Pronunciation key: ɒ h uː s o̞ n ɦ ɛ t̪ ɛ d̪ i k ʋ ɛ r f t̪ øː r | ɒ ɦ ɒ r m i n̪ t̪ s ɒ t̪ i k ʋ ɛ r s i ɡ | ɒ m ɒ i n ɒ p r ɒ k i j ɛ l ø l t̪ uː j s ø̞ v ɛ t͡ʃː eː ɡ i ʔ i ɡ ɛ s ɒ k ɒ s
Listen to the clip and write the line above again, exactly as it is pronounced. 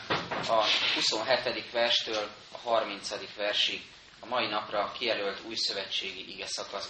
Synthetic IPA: ɒ h u s o̞ n ɦ ɛ t̪ ɛ d̪ i k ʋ ɛ r ʃ t̪ øː l | ɒ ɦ ɒ r m i n̪ t̪ s ɒ d̪ i k ʋ ɛ r ʃ i ɡ | ɒ m ɒ i n ɒ p r ɒ k i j ɛ l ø l t̪ uː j s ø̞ v ɛ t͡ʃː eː ɡ i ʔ i ɡ ɛ s ɒ k ɒ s